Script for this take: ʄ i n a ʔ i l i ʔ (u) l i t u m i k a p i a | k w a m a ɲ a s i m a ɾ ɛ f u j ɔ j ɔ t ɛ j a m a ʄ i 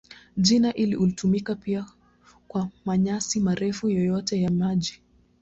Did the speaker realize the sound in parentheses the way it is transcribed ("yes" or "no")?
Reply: yes